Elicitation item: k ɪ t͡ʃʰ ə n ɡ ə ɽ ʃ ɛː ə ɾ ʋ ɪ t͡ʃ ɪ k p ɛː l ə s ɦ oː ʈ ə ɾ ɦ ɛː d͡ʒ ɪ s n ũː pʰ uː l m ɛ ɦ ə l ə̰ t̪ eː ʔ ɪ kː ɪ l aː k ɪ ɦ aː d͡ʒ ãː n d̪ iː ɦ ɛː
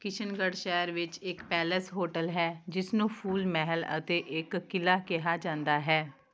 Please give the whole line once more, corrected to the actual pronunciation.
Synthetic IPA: k ɪ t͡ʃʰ ə n ɡ ə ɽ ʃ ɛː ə ɾ ʋ ɪ t͡ʃ ɪ k p ɛː l ə s ɦ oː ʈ ə l ɦ ɛː d͡ʒ ɪ s n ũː pʰ uː l m ɛ ɦ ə l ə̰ t̪ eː ʔ ɪ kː ɪ l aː k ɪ ɦ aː d͡ʒ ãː n d̪ aː ɦ ɛː